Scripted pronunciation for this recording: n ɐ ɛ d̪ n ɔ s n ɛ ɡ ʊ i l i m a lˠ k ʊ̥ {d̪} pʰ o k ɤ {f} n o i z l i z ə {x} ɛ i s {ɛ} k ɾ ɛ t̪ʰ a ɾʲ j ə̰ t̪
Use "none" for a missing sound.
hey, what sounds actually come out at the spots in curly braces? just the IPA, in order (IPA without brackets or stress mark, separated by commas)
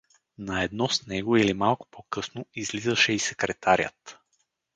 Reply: none, s, ʃ, ɛ